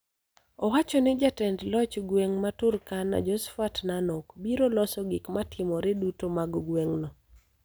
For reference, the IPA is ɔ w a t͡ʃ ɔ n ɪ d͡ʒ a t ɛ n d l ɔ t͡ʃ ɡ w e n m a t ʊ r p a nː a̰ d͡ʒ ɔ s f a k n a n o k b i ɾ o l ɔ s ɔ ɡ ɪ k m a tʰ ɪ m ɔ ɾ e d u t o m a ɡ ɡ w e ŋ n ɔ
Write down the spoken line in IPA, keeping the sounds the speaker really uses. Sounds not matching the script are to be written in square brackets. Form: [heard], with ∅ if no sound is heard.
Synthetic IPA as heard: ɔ w a t͡ʃ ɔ n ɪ d͡ʒ a t ɛ n d l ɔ t͡ʃ ɡ w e [ŋ] m a t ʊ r [k] a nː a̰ d͡ʒ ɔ s f a [t] n a n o k b i ɾ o l ɔ s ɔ ɡ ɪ k m a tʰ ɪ m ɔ ɾ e d u t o m a ɡ ɡ w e ŋ n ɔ